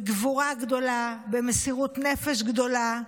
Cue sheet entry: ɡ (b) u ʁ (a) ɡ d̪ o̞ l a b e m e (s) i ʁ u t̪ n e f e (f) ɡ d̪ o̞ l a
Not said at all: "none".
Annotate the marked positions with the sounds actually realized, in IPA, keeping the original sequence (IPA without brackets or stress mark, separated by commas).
v, a, s, ʃ